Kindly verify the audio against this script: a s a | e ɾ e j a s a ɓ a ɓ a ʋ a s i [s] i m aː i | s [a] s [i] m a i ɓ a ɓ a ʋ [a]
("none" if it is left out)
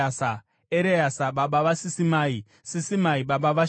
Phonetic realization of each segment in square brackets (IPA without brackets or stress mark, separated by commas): s, i, i, a